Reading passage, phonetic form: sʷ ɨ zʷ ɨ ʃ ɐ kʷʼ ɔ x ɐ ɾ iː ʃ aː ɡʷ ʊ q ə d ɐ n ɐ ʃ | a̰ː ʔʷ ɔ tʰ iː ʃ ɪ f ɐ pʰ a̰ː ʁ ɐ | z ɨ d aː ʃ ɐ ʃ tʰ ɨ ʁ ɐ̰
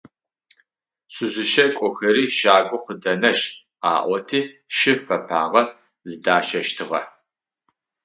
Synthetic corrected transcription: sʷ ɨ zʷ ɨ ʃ ɐ kʷʼ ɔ x ɐ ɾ iː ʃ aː ɡʷ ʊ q ə d ɐ n ɐ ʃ | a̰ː ʔʷ ɔ tʰ iː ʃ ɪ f ɐ pʰ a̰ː ʁ ɐ | z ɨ d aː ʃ ɐ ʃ tʰ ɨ ʁ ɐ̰